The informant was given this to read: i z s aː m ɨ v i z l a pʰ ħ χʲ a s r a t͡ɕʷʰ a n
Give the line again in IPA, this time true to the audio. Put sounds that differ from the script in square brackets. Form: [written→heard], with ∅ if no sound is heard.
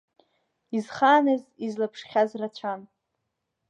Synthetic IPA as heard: i z [s→χ] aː [m→n] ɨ [v→z] i z l a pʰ [ħ→ʂ] χʲ a [s→z] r a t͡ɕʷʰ a n